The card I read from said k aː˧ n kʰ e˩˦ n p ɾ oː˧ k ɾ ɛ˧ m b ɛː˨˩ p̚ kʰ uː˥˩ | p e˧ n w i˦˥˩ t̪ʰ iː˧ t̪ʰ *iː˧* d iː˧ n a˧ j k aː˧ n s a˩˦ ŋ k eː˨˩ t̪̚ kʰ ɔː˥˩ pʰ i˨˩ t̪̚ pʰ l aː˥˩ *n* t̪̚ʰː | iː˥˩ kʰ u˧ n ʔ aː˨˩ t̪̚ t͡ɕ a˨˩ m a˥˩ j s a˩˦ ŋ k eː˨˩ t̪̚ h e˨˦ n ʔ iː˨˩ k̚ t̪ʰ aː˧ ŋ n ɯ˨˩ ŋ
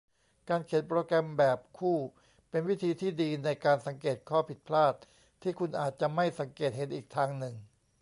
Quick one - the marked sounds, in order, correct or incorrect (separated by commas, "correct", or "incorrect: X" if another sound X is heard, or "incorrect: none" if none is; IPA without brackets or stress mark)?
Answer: incorrect: iː˥˩, incorrect: none